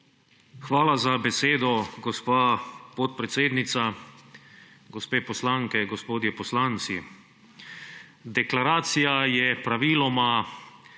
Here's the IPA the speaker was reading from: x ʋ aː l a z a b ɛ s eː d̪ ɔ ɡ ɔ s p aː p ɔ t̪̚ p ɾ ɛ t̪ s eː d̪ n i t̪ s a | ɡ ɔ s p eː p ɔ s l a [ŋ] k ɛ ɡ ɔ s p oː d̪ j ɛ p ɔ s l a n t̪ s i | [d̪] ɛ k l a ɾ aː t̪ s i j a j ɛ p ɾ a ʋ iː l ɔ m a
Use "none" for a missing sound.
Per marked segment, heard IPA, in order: ŋ, d̪

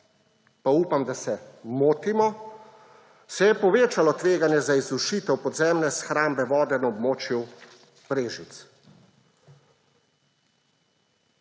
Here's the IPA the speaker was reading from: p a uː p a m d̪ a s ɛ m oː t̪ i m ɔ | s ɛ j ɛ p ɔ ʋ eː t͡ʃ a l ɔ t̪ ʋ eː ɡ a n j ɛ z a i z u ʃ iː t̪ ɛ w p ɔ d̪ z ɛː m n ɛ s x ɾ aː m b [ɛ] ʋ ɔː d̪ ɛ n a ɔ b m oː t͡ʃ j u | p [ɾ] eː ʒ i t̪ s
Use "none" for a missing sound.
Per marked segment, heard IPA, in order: ɛ, ɾ

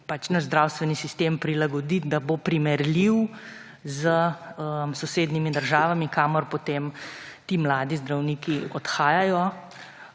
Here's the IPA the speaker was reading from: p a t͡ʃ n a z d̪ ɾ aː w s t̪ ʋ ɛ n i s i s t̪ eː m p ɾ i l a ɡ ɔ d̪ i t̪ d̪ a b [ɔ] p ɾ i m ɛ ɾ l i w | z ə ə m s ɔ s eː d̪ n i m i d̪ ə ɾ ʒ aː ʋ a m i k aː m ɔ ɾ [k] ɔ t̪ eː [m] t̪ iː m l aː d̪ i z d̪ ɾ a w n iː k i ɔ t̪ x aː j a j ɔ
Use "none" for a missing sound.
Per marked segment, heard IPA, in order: o, p, m

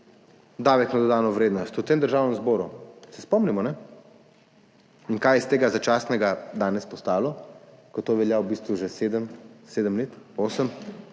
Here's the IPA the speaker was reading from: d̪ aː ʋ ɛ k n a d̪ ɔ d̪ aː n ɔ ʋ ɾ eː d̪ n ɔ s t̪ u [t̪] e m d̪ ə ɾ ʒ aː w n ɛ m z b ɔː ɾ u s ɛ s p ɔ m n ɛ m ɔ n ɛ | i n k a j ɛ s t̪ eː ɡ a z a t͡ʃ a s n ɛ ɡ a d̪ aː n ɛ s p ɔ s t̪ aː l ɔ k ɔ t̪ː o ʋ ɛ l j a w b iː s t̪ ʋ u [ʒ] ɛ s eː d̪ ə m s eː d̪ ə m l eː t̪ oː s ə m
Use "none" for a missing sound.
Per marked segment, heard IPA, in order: t̪, ʒ

